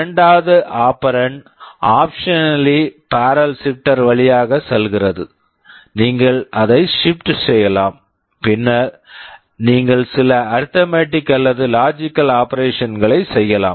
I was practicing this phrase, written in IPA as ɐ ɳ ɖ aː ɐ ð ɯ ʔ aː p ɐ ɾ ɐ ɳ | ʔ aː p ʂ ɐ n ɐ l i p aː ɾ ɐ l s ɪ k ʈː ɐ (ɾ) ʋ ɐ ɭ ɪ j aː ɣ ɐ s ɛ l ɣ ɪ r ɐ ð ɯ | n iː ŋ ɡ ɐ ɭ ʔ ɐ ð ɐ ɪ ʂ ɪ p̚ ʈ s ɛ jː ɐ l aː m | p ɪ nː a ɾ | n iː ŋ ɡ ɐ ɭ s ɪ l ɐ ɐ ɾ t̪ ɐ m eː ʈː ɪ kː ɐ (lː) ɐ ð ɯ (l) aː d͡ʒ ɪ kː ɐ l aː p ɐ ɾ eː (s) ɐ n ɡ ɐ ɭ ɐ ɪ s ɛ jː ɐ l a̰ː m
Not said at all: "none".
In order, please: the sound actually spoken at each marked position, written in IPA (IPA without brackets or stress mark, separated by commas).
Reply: ɾ, lː, l, ʂ